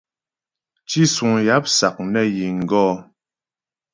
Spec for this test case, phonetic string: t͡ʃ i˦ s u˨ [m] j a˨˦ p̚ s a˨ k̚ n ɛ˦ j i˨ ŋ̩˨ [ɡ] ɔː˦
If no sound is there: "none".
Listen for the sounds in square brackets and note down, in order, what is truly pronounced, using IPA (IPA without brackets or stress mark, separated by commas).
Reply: ŋ, ɡ